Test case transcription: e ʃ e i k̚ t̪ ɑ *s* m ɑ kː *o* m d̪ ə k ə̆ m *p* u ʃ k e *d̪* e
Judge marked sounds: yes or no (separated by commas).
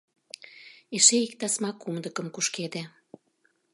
yes, no, no, yes